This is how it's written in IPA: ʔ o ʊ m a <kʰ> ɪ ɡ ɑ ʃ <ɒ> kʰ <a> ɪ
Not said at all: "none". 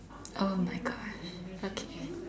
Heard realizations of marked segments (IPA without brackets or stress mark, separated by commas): none, o, e